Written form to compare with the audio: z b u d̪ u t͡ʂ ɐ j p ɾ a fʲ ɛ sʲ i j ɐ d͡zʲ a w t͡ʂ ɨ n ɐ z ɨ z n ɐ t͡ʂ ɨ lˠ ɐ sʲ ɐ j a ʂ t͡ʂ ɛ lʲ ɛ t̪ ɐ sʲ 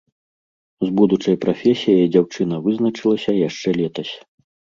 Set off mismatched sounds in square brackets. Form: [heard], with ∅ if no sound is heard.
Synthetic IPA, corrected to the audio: z b u d̪ u t͡ʂ ɐ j p ɾ a fʲ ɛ sʲ i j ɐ d͡zʲ a w t͡ʂ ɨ n ɐ [v] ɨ z n ɐ t͡ʂ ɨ lˠ ɐ sʲ ɐ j a ʂ t͡ʂ ɛ lʲ ɛ t̪ ɐ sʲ